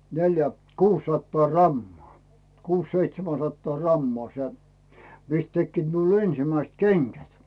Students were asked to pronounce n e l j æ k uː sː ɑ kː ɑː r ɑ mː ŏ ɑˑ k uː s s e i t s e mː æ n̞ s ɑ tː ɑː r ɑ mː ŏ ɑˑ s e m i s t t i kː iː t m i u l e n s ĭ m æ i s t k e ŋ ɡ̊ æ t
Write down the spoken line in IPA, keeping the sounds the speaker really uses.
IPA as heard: n e l j æ k uː sː ɑ tː ɑː r ɑ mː ŏ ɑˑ k uː s s e i t s e m æ n̞ s ɑ tː ɑː r ɑ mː ŏ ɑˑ s e m i s t t e kː iː t m i u l e n s ĭ m æ i s t k e ŋ ɡ̊ æ t